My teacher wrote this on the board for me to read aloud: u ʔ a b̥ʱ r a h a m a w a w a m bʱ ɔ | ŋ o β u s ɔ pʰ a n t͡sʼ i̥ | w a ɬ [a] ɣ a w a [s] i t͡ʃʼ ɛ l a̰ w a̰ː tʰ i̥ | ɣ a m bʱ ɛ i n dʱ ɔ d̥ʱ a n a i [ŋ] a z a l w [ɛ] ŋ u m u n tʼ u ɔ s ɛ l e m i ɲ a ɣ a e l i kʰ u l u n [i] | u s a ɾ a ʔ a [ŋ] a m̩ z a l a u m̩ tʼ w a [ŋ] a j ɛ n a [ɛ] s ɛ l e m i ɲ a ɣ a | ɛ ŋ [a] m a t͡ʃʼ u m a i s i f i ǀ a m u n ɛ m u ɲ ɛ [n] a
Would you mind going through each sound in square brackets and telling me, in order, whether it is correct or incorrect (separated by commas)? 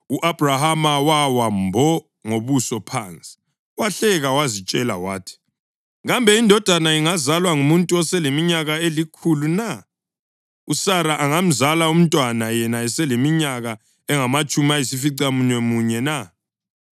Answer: incorrect, incorrect, correct, incorrect, incorrect, correct, incorrect, correct, correct, correct